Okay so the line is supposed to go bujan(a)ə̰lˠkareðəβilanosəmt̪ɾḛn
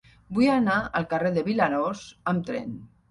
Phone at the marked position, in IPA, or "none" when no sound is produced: a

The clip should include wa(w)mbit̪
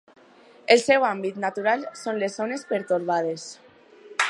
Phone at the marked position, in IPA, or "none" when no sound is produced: none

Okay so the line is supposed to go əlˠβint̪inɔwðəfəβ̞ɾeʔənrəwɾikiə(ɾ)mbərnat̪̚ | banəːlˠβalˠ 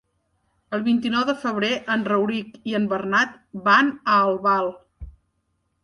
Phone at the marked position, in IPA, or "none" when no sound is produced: none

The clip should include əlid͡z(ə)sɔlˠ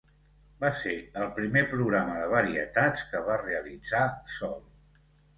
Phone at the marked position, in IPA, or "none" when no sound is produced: a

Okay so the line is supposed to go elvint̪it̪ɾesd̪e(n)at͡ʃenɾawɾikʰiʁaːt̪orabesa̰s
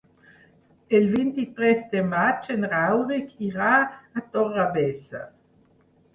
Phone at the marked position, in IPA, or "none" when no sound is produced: m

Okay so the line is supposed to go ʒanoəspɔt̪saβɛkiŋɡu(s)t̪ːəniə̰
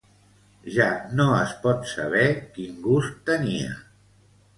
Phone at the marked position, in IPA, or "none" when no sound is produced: s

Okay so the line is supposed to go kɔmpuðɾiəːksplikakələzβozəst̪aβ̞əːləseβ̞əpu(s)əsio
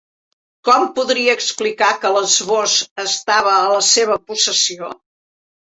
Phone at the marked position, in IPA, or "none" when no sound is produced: s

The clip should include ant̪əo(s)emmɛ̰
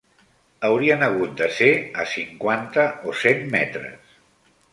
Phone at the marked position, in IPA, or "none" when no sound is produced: s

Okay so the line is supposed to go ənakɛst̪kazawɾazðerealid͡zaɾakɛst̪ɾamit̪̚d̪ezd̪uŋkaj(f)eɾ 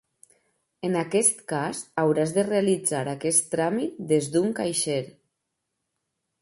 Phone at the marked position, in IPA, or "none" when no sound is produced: ʃ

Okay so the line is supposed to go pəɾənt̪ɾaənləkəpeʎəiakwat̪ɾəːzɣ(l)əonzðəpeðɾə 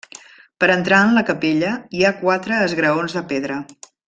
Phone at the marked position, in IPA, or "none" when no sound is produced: ɾ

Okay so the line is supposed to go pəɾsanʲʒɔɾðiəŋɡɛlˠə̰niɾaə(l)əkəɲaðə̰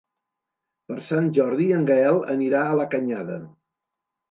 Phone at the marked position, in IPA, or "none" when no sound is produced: l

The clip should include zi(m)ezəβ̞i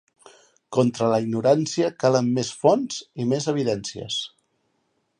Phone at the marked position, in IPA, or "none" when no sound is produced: m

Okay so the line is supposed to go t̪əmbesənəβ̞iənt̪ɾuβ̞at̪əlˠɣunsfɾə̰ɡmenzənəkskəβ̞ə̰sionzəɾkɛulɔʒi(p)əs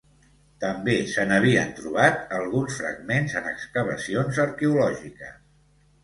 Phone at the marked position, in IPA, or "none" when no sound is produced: k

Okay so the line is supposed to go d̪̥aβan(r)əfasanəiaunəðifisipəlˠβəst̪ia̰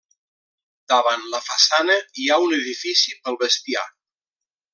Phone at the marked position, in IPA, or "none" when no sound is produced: l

